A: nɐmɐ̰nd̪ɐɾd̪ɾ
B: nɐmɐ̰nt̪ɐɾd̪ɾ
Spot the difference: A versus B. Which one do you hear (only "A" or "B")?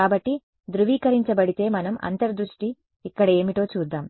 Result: B